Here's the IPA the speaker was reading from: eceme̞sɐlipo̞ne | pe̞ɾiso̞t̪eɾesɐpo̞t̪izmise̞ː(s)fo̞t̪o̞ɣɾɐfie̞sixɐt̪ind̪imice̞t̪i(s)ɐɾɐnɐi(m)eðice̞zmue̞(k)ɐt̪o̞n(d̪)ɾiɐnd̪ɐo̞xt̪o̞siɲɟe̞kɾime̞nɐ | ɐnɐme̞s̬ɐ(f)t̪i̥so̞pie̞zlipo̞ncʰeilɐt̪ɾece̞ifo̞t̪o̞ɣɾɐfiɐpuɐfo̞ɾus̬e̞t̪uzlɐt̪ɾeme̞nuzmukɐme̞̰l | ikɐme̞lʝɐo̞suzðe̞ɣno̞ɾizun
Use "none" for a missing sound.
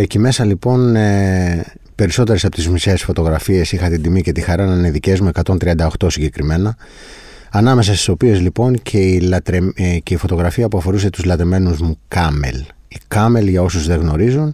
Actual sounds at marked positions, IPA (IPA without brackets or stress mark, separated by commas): s, x, n, k, t̪, s